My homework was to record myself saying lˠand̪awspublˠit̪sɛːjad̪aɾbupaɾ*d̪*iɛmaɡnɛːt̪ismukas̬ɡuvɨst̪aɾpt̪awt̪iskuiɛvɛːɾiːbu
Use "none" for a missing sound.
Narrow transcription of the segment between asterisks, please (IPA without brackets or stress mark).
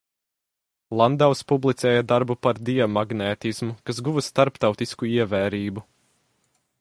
d̪